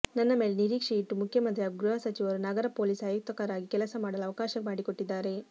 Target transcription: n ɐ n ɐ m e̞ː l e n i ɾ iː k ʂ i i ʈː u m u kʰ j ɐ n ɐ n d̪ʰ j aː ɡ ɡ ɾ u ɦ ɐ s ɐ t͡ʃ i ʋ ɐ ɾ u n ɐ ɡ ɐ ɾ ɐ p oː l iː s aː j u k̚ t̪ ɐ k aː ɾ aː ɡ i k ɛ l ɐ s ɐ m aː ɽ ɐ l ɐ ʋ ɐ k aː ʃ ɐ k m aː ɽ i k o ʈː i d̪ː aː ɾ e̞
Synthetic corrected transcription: n ɐ nː ɐ m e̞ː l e n i ɾ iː k ʂ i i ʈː u m u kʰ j ɐ m ɐ n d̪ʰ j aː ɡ ɡ ɾ u ɦ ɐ s ɐ t͡ʃ i ʋ ɐ ɾ u n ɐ ɡ ɐ ɾ ɐ p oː l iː s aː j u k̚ t̪ ɐ k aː ɾ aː ɡ i k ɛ l ɐ s ɐ m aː ɽ ɐ l ɐ ʋ ɐ k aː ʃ ɐ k m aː ɽ i k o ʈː i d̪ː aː ɾ e̞